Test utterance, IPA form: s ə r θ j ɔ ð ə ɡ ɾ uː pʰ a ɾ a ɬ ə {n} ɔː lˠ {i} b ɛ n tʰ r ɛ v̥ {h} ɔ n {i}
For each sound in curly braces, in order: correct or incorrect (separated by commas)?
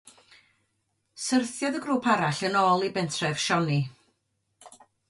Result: correct, correct, incorrect, correct